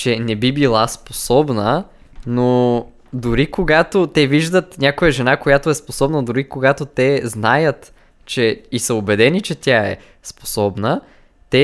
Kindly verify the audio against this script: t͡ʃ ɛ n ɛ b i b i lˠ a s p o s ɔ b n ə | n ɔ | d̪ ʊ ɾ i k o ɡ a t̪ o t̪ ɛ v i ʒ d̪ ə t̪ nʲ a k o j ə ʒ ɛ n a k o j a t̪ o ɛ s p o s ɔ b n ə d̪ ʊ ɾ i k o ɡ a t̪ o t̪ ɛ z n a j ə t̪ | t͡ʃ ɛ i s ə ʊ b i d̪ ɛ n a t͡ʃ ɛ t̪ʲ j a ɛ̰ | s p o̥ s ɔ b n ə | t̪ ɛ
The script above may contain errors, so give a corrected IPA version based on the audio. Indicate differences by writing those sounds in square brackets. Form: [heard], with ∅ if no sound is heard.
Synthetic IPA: t͡ʃ ɛ n ɛ b i b i lˠ a s p o s ɔ b n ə | n [o] | d̪ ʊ ɾ i k o ɡ a t̪ o t̪ ɛ v i ʒ d̪ ə t̪ nʲ a k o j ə ʒ ɛ n a k o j a t̪ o ɛ s p o s ɔ b n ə d̪ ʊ ɾ i k o ɡ a t̪ o t̪ ɛ z n a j ə t̪ | t͡ʃ ɛ i s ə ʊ b [ɛ] d̪ ɛ n [i] t͡ʃ ɛ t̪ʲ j a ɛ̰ | s p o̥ s ɔ b n ə | t̪ ɛ